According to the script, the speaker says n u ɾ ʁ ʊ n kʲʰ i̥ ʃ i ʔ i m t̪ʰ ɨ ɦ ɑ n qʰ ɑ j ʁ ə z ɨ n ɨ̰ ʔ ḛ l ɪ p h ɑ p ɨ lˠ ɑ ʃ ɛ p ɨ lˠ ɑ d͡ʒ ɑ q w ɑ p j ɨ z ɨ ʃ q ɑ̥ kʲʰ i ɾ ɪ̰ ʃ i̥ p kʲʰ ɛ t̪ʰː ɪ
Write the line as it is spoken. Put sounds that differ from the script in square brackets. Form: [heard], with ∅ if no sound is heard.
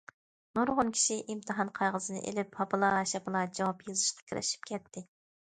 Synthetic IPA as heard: n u ɾ ʁ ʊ n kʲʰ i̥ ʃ i ʔ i m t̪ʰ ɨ ɦ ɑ n qʰ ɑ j ʁ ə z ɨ n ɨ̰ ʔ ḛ l ɪ p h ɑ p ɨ lˠ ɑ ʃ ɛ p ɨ lˠ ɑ d͡ʒ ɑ [∅] w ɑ p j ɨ z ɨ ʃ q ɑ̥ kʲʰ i ɾ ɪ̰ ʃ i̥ p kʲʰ ɛ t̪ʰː ɪ

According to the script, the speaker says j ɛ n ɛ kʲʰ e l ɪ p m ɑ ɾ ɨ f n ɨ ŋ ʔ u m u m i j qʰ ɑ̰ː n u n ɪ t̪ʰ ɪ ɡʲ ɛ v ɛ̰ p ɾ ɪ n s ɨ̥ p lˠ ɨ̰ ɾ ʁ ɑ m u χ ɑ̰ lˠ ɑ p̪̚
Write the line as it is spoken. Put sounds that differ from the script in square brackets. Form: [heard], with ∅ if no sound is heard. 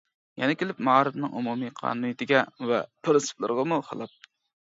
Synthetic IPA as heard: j ɛ n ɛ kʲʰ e l ɪ p m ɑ ɾ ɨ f n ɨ ŋ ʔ u m u m i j qʰ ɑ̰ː n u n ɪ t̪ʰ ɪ ɡʲ ɛ v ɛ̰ p ɾ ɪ n s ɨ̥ p lˠ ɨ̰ ɾ ʁ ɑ m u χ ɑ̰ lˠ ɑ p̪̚

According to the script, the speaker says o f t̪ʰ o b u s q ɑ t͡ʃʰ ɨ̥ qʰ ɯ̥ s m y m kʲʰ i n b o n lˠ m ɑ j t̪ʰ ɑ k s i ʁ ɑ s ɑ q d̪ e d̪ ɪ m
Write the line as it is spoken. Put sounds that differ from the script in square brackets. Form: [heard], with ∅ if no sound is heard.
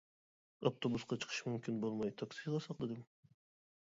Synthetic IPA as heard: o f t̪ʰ o b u s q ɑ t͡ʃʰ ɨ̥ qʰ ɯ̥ [ʃ] m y m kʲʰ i n b o [∅] lˠ m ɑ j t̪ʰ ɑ k s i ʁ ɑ s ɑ q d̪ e d̪ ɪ m

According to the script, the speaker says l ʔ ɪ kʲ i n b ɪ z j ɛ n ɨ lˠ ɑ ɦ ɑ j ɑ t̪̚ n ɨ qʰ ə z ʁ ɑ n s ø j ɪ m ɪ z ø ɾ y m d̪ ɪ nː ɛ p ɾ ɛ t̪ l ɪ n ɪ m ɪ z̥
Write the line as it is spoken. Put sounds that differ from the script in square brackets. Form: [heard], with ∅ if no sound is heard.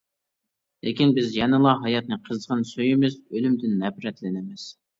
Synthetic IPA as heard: l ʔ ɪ kʲ i n b ɪ z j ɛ n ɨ lˠ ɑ ɦ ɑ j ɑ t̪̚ n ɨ qʰ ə z ʁ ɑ n s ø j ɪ m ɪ z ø [l] y m d̪ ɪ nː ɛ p ɾ ɛ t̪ l ɪ n ɪ m ɪ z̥

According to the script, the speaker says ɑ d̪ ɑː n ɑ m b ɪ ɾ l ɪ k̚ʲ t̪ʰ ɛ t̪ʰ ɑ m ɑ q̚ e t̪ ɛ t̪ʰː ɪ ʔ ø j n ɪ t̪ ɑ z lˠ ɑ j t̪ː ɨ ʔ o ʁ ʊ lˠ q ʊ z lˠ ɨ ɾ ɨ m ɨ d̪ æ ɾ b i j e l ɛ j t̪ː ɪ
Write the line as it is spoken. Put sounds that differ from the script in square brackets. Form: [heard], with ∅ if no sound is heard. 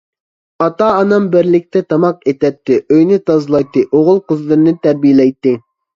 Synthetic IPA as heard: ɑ [t̪] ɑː n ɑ m b ɪ ɾ l ɪ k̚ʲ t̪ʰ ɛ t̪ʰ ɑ m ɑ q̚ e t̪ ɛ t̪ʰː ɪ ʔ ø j n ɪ t̪ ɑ z lˠ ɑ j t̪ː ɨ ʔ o ʁ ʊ lˠ q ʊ z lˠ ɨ ɾ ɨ [n] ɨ [t̪] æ ɾ b i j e l ɛ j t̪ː ɪ

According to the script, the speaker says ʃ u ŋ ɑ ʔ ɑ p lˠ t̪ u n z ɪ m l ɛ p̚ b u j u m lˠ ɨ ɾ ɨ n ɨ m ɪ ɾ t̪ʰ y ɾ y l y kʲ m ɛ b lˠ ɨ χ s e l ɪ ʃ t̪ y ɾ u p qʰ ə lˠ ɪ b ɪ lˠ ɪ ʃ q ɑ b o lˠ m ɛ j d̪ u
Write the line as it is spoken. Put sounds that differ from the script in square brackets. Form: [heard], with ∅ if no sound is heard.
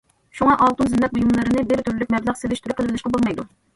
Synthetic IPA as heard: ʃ u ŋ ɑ ʔ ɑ [∅] lˠ t̪ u n z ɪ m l ɛ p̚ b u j u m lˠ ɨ ɾ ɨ n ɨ [b] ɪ ɾ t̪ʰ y ɾ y l y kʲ m ɛ b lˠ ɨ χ s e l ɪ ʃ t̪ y ɾ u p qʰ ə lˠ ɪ b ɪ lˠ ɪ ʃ q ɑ b o lˠ m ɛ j d̪ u

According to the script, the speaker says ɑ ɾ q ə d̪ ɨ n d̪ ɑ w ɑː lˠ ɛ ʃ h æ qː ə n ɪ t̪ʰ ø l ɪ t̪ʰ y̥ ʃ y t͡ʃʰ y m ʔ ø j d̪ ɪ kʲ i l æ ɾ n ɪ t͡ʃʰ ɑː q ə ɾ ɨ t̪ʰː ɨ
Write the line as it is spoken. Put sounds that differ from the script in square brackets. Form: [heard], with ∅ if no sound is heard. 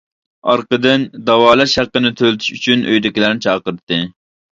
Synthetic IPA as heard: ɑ ɾ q ə d̪ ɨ n d̪ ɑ w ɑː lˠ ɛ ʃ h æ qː ə n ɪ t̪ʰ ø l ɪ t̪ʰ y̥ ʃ y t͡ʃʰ y [n] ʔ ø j d̪ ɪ kʲ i l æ ɾ n ɪ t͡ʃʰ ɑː q ə ɾ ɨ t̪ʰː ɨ

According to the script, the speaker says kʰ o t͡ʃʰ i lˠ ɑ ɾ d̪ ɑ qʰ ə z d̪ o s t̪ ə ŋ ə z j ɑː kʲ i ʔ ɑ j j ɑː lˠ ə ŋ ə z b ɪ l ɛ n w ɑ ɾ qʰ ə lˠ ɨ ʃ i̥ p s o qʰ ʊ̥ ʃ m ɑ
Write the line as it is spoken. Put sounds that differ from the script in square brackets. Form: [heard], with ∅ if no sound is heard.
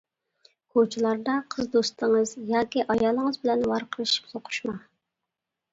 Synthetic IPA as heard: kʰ o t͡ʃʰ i lˠ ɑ ɾ d̪ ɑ qʰ ə z d̪ o s t̪ ə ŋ ə z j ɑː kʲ i ʔ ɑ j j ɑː lˠ ə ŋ ə z b ɪ l ɛ n w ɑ ɾ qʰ ə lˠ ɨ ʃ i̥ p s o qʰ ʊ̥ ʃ m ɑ

